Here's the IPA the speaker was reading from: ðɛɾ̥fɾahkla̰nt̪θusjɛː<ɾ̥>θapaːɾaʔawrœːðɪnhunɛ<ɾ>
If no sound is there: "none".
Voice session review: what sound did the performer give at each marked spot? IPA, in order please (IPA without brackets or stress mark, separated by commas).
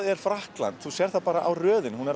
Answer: ɾ̥, ɾ